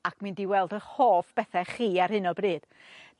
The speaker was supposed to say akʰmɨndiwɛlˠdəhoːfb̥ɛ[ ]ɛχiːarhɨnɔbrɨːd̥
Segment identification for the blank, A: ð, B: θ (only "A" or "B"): B